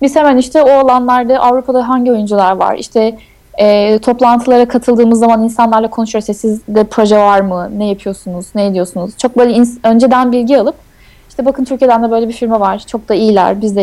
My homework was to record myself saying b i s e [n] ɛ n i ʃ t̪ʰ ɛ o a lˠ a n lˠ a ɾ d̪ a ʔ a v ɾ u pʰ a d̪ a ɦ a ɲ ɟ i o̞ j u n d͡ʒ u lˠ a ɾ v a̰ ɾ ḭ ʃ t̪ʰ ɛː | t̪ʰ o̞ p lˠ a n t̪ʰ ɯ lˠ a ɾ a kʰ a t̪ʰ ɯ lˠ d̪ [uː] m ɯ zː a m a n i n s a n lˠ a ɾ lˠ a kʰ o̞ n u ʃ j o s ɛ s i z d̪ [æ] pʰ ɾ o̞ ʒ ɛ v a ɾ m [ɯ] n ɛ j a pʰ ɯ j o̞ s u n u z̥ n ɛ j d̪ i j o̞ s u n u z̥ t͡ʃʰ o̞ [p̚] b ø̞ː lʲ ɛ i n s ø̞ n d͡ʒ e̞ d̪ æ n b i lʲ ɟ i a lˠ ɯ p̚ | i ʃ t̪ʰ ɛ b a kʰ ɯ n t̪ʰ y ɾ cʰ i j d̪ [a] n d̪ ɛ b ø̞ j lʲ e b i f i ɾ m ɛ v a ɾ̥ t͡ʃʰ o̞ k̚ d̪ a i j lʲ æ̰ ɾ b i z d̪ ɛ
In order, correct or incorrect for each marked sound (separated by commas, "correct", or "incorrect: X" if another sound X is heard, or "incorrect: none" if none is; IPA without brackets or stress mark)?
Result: incorrect: m, incorrect: ɯː, incorrect: ɛ, correct, incorrect: k̚, incorrect: æ